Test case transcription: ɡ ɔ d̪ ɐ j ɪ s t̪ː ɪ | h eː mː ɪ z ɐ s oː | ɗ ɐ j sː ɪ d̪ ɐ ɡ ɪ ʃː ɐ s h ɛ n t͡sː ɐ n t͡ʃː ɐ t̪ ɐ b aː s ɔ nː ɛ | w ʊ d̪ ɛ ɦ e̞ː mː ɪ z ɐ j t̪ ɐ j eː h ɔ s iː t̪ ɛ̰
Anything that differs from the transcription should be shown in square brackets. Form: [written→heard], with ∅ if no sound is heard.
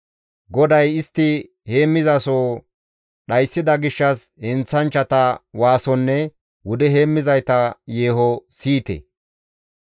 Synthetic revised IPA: ɡ ɔ d̪ ɐ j ɪ s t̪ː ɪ | h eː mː ɪ z ɐ s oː | ɗ ɐ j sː ɪ d̪ ɐ ɡ ɪ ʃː ɐ s h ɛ n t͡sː ɐ n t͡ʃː ɐ t̪ ɐ [b→w] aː s ɔ nː ɛ | w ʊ d̪ ɛ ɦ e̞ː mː ɪ z ɐ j t̪ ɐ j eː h ɔ s iː t̪ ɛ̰